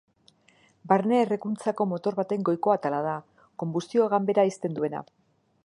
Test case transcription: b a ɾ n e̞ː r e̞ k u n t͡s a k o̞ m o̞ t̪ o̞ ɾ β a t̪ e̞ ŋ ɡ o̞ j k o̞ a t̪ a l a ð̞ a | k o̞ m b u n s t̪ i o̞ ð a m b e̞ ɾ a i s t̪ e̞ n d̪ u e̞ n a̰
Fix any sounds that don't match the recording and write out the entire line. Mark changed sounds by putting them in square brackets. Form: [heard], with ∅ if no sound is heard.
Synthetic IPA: b a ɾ n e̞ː r e̞ k u n t͡s a k o̞ m o̞ t̪ o̞ ɾ β a t̪ e̞ ŋ ɡ o̞ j k o̞ a t̪ a l a ð̞ a | k o̞ m b u [∅] s t̪ i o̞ [ɣ] a m b e̞ ɾ a i s t̪ e̞ n d̪ u e̞ n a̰

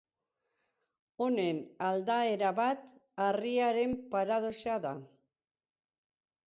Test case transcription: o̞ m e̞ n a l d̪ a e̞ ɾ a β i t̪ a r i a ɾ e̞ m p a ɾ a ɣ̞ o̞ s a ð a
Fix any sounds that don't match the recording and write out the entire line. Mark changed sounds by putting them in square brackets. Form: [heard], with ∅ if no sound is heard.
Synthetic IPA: o̞ [n] e̞ n a l d̪ a e̞ ɾ a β [a] t̪ a r i a ɾ e̞ m p a ɾ a [ð̞] o̞ s a ð a

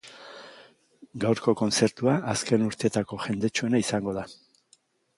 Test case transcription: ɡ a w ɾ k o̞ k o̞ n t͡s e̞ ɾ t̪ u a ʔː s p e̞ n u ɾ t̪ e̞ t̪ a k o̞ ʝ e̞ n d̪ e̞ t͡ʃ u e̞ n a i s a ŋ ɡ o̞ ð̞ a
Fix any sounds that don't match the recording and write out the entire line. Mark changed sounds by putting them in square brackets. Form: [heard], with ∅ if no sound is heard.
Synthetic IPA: ɡ a w ɾ k o̞ k o̞ n t͡s e̞ ɾ t̪ u a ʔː s [k] e̞ n u ɾ t̪ e̞ t̪ a k o̞ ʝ e̞ n d̪ e̞ t͡ʃ u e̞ n a i s a ŋ ɡ o̞ ð̞ a

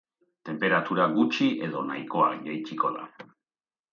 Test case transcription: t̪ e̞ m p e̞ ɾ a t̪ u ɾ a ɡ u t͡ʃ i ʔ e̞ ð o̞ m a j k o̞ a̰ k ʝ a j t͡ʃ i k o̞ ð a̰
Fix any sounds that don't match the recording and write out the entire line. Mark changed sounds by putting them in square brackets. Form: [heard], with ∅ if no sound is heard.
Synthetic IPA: t̪ e̞ m p e̞ ɾ a t̪ u ɾ a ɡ u t͡ʃ i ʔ e̞ ð o̞ [n] a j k o̞ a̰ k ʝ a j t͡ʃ i k o̞ ð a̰

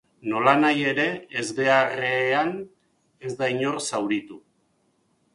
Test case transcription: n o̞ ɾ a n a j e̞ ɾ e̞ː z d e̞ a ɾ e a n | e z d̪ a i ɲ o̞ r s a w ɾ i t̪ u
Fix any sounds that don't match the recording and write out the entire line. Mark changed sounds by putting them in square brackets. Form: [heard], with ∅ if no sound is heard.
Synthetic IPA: n o̞ [l] a n a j e̞ ɾ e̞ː z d e̞ a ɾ e a n | e z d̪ a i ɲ o̞ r s a w ɾ i t̪ u

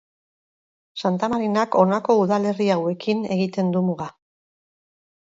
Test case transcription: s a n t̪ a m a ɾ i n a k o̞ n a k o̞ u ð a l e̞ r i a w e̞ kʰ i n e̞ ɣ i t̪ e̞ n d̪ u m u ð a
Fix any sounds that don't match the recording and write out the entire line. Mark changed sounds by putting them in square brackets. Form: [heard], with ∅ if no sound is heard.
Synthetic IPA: s a n t̪ a m a ɾ i n a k o̞ n a k o̞ u ð a l e̞ r i a w e̞ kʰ i n e̞ ɣ i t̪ e̞ n d̪ u m u [ɣ] a

